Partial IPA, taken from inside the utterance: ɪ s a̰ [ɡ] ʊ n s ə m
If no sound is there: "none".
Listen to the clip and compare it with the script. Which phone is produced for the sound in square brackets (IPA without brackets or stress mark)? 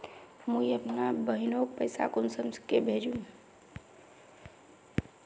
k